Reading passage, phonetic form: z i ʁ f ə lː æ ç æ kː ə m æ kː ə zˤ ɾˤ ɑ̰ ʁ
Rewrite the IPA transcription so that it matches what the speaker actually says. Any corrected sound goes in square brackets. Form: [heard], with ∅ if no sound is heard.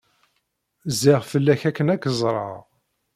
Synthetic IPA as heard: z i ʁ f ə lː æ ç æ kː ə [n] æ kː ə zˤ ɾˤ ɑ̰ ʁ